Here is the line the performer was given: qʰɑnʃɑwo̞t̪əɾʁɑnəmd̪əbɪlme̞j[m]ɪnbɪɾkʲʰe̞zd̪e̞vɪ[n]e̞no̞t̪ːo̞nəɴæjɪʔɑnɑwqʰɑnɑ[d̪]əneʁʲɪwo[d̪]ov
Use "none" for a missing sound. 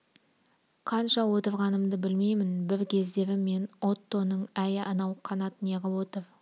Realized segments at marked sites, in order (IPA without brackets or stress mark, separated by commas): m, m, t̪, t̪